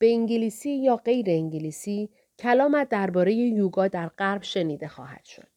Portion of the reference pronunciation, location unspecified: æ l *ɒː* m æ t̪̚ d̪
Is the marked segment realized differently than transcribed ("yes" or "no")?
no